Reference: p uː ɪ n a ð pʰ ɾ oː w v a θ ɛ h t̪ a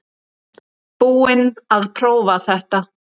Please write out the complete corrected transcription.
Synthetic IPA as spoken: p uː ɪ n a ð pʰ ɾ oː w v a θ ɛ h t̪ a